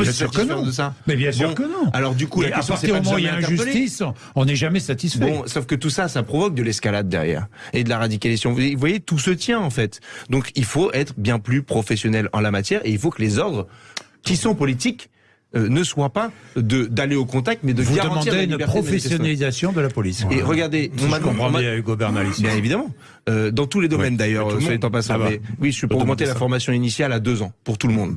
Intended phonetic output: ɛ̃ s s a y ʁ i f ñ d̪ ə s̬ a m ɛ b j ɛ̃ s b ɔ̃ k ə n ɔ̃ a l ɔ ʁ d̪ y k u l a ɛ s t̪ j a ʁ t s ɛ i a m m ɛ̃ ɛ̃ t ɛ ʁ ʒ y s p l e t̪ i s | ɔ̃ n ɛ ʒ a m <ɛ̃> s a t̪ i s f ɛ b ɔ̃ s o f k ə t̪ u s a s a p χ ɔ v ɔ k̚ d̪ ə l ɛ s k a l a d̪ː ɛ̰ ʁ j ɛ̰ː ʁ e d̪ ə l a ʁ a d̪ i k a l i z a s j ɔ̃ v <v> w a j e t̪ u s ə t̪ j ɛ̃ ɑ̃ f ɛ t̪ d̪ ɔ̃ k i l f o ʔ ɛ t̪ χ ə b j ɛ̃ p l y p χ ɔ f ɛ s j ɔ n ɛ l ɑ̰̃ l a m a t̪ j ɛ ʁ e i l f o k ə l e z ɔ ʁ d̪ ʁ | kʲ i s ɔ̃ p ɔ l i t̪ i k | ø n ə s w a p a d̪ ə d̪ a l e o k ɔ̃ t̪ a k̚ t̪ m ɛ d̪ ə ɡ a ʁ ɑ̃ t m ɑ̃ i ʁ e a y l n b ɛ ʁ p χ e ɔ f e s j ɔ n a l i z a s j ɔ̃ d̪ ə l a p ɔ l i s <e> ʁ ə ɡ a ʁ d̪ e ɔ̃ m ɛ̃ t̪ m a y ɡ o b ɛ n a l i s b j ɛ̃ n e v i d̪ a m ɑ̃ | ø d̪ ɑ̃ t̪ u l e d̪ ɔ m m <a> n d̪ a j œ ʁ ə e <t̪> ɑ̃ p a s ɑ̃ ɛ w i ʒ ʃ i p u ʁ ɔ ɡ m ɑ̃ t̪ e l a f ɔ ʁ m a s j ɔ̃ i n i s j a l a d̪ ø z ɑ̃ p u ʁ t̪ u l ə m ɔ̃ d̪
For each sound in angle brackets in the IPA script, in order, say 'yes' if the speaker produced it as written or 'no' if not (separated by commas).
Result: no, yes, yes, no, yes